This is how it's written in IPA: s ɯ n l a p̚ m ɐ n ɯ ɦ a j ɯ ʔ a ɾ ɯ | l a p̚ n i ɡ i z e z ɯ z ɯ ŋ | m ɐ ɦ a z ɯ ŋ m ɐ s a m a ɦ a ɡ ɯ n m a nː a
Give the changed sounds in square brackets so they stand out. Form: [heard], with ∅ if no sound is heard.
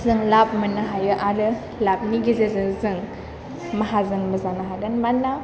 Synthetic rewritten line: [z] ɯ [ŋ] l a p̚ m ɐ n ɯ ɦ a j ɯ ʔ a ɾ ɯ | l a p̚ n i ɡ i z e z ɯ z ɯ ŋ | m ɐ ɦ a z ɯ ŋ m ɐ [z] a [n] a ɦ a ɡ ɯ n m a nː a

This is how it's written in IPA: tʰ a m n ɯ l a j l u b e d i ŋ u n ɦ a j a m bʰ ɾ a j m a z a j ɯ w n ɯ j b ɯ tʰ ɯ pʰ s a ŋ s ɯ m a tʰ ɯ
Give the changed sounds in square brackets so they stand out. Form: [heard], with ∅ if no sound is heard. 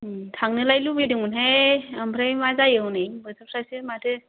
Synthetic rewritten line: tʰ a [ŋ] n ɯ l a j l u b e d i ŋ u n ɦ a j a m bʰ ɾ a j m a z a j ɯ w n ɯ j b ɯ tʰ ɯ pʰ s a [∅] s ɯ m a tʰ ɯ

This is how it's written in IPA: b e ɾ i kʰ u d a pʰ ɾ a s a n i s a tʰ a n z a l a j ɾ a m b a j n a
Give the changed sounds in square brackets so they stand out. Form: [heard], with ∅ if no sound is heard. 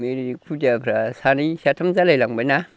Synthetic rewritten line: [m] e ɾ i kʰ u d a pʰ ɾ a s a n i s a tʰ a [m] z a l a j [l] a [ŋ] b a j n a

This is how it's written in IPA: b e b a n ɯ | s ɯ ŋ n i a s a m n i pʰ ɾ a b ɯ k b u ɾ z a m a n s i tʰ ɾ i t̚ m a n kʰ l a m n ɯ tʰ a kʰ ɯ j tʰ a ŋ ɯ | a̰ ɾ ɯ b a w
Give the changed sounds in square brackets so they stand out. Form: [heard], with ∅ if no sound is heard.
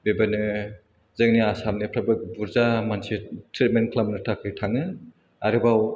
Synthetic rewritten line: b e b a n ɯ | [z] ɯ ŋ n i a s a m n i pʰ ɾ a b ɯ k b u ɾ z a m a n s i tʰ ɾ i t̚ m [e] n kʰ l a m n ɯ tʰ a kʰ ɯ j tʰ a ŋ ɯ | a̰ ɾ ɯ b a w

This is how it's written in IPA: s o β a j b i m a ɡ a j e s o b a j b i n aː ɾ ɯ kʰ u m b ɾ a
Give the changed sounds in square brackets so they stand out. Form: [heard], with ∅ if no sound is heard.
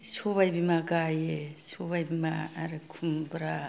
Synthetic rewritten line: s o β a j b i m a ɡ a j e s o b a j b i [m] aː ɾ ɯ kʰ u m b ɾ a

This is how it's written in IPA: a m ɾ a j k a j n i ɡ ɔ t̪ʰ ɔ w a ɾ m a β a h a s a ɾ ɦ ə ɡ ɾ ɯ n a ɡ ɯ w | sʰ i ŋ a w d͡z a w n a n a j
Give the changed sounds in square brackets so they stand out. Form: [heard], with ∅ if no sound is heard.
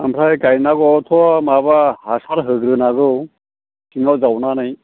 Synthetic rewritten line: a m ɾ a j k a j n [a] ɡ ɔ t̪ʰ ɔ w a [∅] m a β a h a s a ɾ ɦ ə ɡ ɾ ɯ n a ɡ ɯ w | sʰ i ŋ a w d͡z a w n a n a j

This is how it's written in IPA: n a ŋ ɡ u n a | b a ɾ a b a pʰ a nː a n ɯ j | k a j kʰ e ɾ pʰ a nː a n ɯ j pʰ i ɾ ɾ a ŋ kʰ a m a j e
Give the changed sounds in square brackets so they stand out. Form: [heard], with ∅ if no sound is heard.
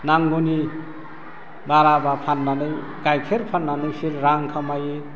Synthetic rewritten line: n a ŋ ɡ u n [i] | b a ɾ a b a pʰ a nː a n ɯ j | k a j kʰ e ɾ pʰ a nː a n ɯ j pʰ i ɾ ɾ a ŋ kʰ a m a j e

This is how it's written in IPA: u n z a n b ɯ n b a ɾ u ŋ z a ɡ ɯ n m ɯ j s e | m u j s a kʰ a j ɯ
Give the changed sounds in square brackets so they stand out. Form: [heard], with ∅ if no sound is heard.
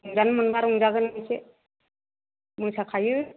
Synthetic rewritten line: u [ŋ] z a n [m] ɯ n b a ɾ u ŋ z a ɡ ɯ n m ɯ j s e | m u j s a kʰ a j ɯ

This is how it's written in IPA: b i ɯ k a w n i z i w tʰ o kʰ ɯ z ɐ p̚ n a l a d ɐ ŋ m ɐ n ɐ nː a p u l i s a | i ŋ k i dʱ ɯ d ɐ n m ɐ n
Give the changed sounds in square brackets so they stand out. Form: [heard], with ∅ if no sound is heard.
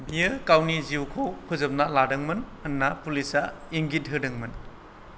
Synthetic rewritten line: b i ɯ k a w n i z i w [kʰ] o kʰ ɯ z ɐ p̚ n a l a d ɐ ŋ m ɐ n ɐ nː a p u l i s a | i ŋ [ɡ] i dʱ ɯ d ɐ [ŋ] m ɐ n

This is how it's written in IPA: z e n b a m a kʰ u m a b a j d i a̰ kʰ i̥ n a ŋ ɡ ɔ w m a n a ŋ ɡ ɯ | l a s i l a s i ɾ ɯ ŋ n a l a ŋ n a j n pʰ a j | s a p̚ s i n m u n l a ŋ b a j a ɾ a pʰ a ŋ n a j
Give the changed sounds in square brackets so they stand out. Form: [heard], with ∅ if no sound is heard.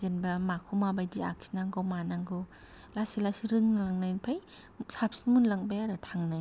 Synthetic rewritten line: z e n b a m a kʰ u m a b a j d i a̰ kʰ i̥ n a ŋ ɡ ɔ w m a n a ŋ ɡ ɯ | l a s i l a s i ɾ ɯ ŋ n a l a ŋ n a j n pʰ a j | s a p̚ s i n m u n l a ŋ b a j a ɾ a [tʰ] a ŋ n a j

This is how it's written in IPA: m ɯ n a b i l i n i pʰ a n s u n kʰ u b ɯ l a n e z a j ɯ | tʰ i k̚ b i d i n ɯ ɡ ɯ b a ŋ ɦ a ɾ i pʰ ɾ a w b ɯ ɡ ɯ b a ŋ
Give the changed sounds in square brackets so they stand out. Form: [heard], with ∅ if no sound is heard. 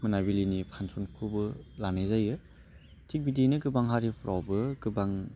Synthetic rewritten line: m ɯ n a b i l i n i pʰ a n s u n kʰ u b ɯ l a n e z a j ɯ | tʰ i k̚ b i d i n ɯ ɡ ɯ b a ŋ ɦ a ɾ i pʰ ɾ a w b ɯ ɡ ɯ b a ŋ

